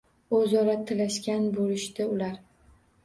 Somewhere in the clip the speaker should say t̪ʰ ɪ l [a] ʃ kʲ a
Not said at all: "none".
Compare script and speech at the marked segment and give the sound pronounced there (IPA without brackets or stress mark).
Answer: a